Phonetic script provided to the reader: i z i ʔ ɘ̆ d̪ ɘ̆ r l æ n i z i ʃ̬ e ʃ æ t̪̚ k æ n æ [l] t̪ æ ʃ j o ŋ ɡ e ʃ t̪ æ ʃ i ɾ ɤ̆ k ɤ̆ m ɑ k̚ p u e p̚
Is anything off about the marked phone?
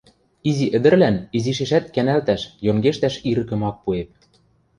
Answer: no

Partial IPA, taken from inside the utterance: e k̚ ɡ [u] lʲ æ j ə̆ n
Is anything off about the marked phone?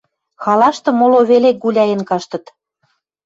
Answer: no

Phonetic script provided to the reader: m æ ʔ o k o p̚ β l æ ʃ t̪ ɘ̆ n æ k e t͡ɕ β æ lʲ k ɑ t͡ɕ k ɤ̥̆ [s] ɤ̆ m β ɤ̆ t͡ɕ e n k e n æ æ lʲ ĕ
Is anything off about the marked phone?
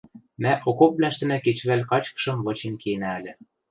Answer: yes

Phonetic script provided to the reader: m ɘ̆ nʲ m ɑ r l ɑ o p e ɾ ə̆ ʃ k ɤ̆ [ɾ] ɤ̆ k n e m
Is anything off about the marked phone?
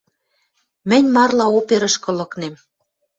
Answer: yes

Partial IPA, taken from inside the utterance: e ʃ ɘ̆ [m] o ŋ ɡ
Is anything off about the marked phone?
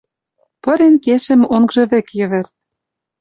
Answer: no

